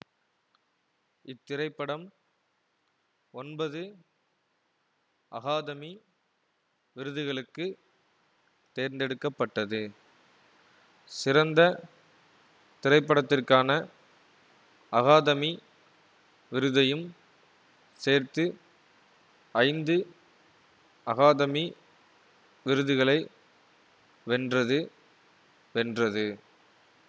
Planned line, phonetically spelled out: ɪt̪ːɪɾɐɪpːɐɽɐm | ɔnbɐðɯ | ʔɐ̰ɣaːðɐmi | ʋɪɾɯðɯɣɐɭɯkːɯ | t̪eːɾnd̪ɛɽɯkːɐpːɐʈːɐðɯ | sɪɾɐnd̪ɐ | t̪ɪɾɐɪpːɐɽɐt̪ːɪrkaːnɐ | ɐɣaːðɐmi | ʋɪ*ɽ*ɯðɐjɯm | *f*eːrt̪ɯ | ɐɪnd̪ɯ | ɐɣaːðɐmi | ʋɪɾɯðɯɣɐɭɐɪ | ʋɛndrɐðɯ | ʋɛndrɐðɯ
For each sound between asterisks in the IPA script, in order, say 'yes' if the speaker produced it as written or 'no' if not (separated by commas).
no, no